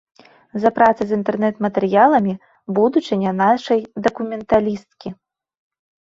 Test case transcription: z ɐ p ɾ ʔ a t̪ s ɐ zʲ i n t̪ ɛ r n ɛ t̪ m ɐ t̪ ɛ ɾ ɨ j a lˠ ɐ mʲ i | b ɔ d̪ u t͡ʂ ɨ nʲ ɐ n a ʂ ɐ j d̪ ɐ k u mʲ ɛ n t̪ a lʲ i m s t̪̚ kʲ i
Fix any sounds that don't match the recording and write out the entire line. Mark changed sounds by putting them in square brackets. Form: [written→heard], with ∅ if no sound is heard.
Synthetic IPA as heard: z ɐ p ɾ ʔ a t̪ s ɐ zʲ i n t̪ ɛ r n ɛ t̪ m ɐ t̪ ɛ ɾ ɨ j a lˠ ɐ mʲ i | b [ɔ→u] d̪ u t͡ʂ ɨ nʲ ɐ n a ʂ ɐ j d̪ ɐ k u mʲ ɛ n t̪ a lʲ i [m→∅] s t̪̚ kʲ i